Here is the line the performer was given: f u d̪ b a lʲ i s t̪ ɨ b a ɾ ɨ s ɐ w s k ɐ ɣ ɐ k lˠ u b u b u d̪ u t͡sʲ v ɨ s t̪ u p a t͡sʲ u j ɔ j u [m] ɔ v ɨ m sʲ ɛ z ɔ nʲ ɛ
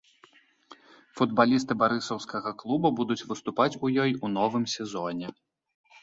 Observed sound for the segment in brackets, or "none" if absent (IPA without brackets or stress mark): n